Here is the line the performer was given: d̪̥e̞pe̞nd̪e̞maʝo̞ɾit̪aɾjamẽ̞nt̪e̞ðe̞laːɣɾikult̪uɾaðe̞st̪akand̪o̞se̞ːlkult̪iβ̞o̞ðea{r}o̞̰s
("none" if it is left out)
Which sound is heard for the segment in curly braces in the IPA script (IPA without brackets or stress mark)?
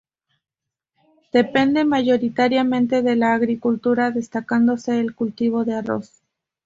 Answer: r